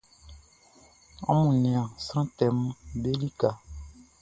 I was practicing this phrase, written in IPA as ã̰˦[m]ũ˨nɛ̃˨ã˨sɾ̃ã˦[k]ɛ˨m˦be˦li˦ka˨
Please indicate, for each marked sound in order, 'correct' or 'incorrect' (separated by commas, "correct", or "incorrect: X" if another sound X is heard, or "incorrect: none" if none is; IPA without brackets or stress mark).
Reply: correct, incorrect: t